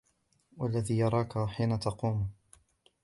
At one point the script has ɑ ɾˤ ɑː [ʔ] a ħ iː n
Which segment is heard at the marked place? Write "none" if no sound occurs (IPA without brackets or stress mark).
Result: k